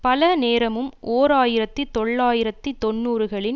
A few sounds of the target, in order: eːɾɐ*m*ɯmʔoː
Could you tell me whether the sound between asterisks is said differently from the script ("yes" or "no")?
no